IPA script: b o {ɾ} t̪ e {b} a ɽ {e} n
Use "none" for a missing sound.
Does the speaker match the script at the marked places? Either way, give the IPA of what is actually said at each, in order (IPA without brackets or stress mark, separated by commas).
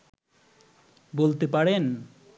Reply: l, p, e